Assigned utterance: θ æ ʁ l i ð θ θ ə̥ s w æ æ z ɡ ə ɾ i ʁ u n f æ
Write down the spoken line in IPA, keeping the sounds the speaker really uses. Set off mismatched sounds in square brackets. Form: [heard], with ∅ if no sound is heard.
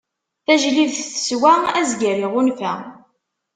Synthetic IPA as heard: θ æ [ʒ] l i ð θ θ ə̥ s w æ æ z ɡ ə ɾ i ʁ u n f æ

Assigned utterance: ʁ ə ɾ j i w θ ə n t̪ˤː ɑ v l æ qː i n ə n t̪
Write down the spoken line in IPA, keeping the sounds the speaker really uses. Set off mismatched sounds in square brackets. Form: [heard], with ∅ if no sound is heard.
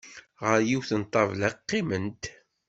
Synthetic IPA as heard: ʁ ə ɾ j i w θ ə n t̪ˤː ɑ v l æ qː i [m] ə n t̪

